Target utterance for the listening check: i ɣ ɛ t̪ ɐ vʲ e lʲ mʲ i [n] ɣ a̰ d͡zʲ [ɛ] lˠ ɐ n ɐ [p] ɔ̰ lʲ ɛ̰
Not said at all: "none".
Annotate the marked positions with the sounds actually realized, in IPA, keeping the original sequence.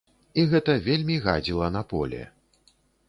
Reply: none, i, p

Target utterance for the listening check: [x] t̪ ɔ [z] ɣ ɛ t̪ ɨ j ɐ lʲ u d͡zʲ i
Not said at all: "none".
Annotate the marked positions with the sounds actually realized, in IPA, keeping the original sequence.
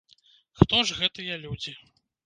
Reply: x, ʐ

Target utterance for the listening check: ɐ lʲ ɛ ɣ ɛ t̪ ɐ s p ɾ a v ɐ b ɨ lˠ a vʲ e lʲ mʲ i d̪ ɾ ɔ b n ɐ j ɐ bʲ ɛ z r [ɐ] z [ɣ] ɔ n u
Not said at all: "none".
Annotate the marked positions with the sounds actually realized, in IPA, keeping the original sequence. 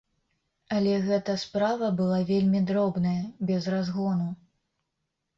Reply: a, ɣ

